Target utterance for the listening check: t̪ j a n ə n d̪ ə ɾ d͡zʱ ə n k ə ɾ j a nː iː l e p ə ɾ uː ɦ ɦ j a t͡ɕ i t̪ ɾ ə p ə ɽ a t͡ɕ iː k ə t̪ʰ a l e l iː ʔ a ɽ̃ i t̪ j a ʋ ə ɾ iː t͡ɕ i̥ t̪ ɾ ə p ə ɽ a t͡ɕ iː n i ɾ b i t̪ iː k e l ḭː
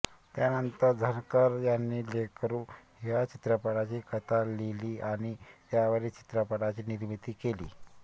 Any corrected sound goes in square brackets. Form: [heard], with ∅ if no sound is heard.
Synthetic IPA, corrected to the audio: t̪ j a n ə n [t̪] ə ɾ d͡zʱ ə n k ə ɾ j a nː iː l e [k] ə ɾ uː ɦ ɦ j a t͡ɕ i t̪ ɾ ə p ə ɽ a t͡ɕ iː k ə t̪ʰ a l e l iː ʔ a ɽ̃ i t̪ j a ʋ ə ɾ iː t͡ɕ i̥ t̪ ɾ ə p ə ɽ a t͡ɕ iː n i ɾ [m] i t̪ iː k e l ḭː

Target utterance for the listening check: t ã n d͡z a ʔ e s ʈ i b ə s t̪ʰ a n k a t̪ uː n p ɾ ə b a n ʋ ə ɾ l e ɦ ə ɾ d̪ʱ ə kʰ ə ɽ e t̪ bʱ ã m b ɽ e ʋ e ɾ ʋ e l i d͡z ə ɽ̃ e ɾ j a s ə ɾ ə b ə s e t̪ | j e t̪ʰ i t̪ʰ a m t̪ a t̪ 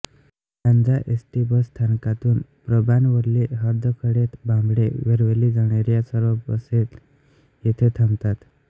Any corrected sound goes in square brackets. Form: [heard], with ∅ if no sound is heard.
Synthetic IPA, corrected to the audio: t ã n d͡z a ʔ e s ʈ i b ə s t̪ʰ a n k a t̪ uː n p ɾ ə b a n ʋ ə ɾ l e ɦ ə ɾ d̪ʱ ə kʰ ə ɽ e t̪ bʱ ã m b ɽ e ʋ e ɾ ʋ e l i d͡z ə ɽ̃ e ɾ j a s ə ɾ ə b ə s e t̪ | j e t̪ʰ [e] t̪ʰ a m t̪ a t̪

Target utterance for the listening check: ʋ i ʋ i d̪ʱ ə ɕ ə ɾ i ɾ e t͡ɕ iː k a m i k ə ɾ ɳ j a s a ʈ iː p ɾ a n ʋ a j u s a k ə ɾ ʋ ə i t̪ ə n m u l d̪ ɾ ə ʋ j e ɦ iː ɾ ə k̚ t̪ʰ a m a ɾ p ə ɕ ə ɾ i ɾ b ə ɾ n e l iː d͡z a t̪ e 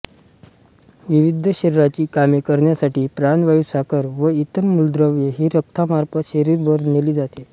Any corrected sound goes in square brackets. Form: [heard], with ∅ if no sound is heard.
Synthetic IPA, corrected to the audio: ʋ i ʋ i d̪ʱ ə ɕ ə ɾ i ɾ [a] t͡ɕ iː k a m i k ə ɾ ɳ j a s a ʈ iː p ɾ a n ʋ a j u s a k ə ɾ ʋ ə i t̪ ə n m u l d̪ ɾ ə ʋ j e ɦ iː ɾ ə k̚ t̪ʰ a m a ɾ p ə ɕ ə ɾ i ɾ b ə ɾ n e l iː d͡z a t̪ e

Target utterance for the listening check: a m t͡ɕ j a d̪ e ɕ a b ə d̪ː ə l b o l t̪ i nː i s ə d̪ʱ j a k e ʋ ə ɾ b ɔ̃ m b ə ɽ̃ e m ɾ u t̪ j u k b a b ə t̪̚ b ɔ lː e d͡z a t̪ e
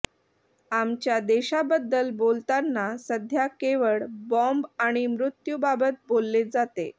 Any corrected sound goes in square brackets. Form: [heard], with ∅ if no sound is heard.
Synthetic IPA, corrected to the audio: a m t͡ɕ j a d̪ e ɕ a b ə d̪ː ə l b o l t̪ [a] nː [a] s ə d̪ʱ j a k e ʋ ə [ɭ] b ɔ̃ m b [a] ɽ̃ [i] m ɾ u t̪ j u [∅] b a b ə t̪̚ b [o] lː e d͡z a t̪ e

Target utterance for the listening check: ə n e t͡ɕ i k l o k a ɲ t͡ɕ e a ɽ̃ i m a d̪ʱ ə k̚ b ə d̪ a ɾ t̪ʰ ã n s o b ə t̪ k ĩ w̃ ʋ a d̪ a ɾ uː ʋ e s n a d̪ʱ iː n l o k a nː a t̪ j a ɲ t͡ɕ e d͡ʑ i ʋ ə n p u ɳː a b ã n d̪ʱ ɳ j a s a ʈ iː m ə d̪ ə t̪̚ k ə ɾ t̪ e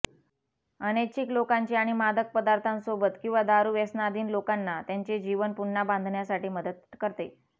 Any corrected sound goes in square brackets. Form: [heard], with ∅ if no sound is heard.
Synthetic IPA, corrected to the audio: ə n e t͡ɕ i k l o k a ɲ t͡ɕ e a ɽ̃ i m a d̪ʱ ə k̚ [p] ə d̪ a ɾ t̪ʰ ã n s o b ə t̪ k ĩ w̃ ʋ a d̪ a ɾ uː ʋ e s n a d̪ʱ iː n l o k a nː a t̪ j a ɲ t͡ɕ e d͡ʑ i ʋ ə n p u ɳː a b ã n d̪ʱ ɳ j a s a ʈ iː m ə d̪ ə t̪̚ k ə ɾ t̪ e

